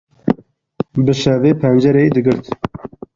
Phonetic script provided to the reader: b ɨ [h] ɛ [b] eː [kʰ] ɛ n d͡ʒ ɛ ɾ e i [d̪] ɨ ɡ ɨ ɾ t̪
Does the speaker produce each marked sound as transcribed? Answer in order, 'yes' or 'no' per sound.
no, no, no, yes

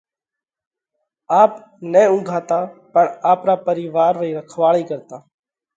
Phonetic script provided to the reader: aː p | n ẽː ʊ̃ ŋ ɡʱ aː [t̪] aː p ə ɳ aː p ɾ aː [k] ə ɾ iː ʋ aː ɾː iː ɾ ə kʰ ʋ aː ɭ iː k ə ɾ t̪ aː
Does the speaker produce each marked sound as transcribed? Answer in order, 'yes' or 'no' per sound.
yes, no

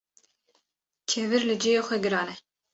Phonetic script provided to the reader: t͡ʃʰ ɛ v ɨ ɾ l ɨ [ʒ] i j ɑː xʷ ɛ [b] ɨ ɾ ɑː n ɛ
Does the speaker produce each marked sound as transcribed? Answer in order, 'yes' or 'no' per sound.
no, no

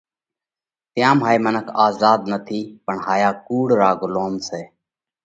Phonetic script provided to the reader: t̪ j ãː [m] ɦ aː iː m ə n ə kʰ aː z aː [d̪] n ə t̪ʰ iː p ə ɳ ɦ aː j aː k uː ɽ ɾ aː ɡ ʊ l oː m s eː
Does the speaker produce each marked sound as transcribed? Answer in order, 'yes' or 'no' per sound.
yes, yes

